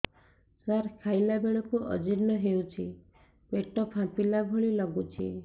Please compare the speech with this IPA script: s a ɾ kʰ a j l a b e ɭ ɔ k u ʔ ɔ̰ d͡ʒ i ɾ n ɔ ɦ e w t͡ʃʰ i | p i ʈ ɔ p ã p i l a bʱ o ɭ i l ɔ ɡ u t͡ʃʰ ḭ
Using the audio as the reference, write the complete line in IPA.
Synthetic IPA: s a ɾ kʰ a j l a b e ɭ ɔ k u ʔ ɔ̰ d͡ʒ i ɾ n ɔ ɦ e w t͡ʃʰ i | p e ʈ ɔ p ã p i l a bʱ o ɭ i l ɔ ɡ u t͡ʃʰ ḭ